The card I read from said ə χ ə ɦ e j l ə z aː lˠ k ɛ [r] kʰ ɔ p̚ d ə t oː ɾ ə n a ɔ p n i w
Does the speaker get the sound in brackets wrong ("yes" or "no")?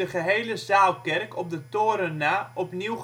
no